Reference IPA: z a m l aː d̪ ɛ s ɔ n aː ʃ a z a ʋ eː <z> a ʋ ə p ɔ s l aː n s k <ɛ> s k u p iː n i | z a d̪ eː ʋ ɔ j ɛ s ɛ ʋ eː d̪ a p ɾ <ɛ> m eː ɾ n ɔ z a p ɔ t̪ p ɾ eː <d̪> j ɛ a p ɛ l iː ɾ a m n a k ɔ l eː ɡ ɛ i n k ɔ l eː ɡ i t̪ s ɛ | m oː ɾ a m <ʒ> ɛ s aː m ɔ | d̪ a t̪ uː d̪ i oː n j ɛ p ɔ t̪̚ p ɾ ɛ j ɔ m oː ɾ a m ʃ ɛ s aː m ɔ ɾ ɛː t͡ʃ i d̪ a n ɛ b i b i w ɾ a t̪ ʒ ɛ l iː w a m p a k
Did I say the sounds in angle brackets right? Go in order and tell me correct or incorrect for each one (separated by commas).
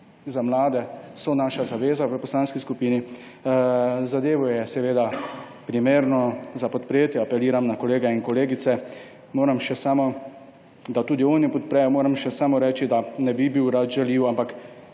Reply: correct, incorrect, incorrect, incorrect, incorrect